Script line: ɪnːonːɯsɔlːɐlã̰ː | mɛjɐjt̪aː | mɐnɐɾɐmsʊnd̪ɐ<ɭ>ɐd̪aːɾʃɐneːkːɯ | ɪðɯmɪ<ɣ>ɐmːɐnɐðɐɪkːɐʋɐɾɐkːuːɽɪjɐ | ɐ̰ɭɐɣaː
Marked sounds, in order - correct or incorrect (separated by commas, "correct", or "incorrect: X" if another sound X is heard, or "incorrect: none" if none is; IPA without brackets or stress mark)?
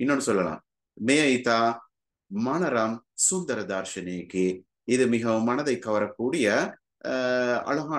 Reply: incorrect: ɾ, correct